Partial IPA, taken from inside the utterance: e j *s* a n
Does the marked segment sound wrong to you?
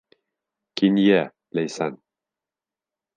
no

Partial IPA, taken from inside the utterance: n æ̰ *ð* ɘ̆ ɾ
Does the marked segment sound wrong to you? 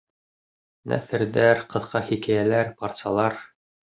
yes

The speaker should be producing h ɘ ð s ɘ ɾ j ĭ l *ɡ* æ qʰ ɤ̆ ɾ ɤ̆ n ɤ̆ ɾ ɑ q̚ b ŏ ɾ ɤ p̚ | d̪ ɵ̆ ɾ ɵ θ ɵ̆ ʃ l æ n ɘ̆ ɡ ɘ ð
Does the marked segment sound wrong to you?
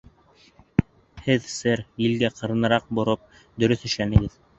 no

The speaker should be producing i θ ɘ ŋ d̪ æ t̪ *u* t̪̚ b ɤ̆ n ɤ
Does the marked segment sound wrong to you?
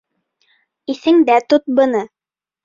yes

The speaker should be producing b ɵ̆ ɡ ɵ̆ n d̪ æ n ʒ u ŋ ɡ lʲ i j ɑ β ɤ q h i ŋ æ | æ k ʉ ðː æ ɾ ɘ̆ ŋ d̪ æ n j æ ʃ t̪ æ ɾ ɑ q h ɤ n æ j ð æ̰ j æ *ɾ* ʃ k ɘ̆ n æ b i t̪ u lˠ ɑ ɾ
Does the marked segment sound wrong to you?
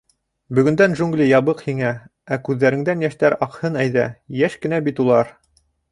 yes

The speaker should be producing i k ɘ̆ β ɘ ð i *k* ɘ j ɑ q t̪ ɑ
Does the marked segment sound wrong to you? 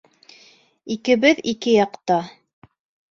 no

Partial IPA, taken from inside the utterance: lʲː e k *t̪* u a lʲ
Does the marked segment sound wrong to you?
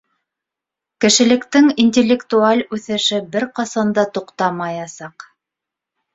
no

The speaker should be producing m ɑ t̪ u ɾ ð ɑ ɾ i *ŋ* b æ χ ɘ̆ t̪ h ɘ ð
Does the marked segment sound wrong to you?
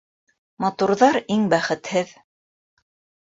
no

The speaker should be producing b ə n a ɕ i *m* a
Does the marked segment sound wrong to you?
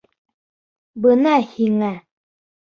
yes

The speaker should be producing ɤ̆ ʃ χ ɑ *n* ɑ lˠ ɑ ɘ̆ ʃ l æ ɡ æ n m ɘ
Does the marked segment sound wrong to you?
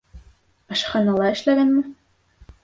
no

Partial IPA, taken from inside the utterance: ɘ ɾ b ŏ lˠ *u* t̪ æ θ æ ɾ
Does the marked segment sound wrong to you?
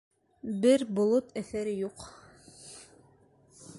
yes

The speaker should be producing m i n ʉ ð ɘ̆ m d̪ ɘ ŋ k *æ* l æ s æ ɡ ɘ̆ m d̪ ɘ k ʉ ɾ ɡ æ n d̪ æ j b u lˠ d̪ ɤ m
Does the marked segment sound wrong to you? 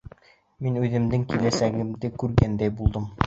yes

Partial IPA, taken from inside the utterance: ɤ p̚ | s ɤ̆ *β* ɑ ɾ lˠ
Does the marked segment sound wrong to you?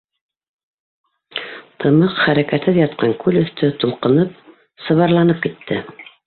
no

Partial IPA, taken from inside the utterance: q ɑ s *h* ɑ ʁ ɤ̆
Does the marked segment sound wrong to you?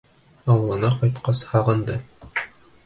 no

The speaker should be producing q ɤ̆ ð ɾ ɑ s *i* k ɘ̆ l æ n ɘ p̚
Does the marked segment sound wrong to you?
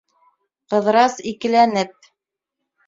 no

